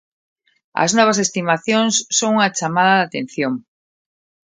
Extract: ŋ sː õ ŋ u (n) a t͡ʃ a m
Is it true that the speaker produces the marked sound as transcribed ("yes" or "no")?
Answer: no